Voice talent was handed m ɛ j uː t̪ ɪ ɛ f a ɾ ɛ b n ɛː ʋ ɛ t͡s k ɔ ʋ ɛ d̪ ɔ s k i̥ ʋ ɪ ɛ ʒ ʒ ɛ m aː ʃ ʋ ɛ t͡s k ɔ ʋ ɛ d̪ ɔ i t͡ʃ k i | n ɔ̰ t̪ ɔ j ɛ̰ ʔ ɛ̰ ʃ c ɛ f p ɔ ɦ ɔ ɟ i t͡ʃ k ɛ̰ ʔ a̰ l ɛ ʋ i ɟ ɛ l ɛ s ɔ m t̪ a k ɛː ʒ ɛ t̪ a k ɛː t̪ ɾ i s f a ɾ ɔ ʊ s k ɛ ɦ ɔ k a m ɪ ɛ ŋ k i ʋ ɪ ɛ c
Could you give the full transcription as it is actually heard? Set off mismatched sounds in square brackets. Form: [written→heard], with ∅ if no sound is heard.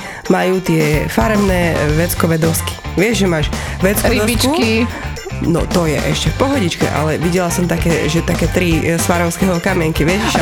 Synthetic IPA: m [ɛ→a] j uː t̪ ɪ ɛ f a ɾ ɛ [b→m] n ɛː ʋ ɛ t͡s k ɔ ʋ ɛ d̪ ɔ s k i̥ ʋ ɪ ɛ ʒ ʒ ɛ m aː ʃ ʋ ɛ t͡s k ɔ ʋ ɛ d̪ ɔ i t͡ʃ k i | n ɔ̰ t̪ ɔ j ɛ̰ ʔ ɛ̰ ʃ c ɛ f p ɔ ɦ ɔ ɟ i t͡ʃ k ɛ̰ ʔ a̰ l ɛ ʋ i ɟ ɛ l [ɛ→a] s ɔ m t̪ a k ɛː ʒ ɛ t̪ a k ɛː t̪ ɾ i s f a ɾ ɔ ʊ s k ɛ ɦ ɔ k a m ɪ ɛ ŋ k i ʋ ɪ ɛ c